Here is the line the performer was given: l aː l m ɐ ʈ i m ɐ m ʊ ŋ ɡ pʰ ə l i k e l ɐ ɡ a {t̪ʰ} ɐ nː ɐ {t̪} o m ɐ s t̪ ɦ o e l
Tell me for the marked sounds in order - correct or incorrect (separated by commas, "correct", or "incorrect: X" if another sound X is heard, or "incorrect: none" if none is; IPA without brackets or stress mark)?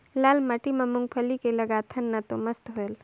correct, correct